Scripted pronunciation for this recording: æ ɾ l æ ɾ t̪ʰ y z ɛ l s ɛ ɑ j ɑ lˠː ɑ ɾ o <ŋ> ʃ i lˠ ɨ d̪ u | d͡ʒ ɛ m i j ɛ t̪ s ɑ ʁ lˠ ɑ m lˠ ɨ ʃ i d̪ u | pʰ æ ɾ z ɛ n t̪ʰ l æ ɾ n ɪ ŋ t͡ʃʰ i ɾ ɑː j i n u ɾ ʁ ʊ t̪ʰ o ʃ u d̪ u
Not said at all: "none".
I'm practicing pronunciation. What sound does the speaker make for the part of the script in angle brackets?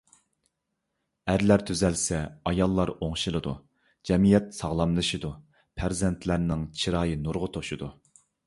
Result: ŋ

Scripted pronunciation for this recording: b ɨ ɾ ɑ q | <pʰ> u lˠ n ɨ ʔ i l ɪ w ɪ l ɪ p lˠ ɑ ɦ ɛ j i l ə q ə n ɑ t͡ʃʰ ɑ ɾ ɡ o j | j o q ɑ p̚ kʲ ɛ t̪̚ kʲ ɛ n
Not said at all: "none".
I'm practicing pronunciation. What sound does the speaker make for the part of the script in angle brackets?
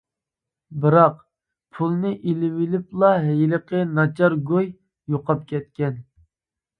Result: pʰ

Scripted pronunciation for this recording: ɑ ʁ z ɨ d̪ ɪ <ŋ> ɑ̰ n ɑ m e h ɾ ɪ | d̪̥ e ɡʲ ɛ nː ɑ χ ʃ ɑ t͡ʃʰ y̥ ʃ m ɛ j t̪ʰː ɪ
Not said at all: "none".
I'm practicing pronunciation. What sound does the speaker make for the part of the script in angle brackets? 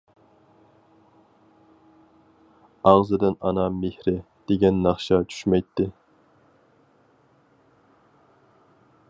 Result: n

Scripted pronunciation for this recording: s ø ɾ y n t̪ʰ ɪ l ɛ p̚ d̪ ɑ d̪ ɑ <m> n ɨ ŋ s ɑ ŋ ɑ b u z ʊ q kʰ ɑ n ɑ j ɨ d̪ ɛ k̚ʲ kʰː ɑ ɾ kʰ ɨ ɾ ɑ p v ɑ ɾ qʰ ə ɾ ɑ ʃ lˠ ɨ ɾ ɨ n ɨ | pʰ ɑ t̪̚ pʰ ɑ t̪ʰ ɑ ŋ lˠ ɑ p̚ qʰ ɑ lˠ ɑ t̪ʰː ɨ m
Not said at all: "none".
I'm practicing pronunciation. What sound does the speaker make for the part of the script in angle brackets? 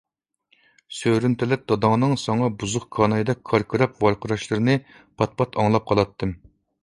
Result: ŋ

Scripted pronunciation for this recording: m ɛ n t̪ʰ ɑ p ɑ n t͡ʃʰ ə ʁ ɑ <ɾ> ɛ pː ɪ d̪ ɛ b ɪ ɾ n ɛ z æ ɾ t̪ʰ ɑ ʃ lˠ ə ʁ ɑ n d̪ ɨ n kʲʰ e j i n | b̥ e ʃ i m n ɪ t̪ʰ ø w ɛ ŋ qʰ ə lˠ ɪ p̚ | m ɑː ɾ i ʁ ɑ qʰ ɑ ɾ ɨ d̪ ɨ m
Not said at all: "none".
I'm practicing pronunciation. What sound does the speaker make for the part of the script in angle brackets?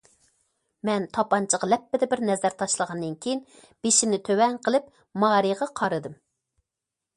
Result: l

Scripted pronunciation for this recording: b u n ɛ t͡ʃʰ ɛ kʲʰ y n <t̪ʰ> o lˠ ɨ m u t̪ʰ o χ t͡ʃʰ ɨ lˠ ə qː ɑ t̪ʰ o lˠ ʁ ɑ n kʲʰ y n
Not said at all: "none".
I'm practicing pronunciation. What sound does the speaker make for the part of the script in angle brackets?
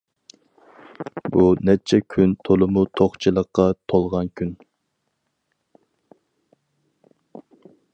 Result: t̪ʰ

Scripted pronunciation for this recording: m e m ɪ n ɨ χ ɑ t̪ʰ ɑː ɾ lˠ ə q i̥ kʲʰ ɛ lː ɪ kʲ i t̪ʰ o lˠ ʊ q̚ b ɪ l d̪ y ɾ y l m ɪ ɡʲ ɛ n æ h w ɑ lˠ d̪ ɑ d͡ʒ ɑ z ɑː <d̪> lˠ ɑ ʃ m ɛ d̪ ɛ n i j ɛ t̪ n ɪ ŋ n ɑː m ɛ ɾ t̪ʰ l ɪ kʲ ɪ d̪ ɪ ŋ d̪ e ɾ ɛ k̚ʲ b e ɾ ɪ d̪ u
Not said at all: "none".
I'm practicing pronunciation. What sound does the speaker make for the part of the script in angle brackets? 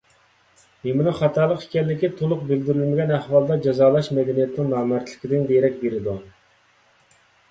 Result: none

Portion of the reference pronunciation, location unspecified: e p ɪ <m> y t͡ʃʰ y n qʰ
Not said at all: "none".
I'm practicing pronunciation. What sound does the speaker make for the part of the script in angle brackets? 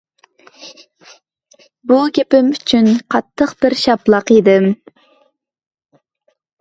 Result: m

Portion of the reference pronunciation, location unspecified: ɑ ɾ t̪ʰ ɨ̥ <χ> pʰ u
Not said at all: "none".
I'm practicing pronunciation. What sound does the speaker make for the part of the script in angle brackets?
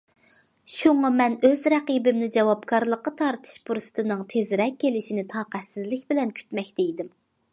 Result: ʃ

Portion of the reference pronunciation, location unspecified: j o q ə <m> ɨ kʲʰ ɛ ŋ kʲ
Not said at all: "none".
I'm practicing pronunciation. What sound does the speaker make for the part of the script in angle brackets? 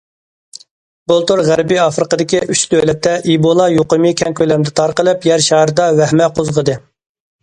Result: m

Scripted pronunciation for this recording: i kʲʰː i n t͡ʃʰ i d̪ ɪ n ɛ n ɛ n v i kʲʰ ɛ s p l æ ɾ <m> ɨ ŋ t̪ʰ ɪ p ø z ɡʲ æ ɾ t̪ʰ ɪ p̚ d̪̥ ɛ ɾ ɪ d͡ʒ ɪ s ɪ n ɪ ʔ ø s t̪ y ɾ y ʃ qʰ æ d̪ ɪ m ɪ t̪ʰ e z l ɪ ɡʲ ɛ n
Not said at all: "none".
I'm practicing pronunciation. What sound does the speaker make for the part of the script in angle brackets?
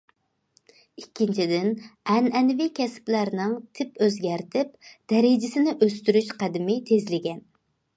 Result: n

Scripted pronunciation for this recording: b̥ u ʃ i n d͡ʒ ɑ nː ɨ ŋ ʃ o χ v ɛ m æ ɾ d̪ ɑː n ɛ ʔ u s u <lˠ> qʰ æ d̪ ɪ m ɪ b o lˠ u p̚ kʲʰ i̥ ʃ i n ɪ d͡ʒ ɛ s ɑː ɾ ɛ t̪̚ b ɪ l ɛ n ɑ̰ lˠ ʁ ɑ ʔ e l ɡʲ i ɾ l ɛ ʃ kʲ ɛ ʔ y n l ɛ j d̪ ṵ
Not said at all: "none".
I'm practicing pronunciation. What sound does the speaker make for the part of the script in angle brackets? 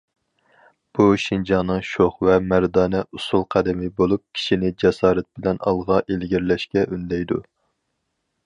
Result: lˠ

